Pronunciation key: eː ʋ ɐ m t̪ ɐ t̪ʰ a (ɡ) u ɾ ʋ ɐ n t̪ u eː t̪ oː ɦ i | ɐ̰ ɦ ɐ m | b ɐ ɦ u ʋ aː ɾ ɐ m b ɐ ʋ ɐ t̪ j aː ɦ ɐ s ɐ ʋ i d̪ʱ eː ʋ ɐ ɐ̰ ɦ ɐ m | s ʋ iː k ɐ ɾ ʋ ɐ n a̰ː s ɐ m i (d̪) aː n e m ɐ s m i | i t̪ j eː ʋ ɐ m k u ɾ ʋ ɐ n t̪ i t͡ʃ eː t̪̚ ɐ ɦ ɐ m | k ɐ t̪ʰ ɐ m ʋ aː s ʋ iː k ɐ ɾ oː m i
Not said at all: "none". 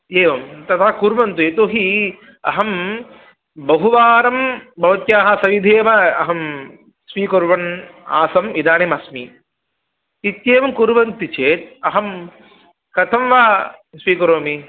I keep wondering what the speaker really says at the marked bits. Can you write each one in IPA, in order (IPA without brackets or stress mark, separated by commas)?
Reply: k, d̪